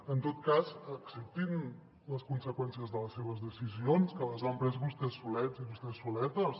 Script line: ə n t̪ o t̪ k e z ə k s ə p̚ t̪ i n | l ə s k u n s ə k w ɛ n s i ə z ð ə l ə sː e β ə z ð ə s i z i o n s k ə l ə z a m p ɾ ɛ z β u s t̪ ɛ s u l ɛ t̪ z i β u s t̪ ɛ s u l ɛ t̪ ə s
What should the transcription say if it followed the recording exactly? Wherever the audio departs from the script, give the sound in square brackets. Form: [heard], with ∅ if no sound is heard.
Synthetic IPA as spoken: ə n t̪ o t̪ k [a] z ə k s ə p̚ t̪ i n | l ə s k u n s ə k w ɛ n s i ə z ð ə l ə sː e β ə z ð ə s i z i o n s k ə l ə z a m p ɾ ɛ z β u s t̪ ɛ s u l ɛ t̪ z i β u s t̪ ɛ s u l ɛ t̪ ə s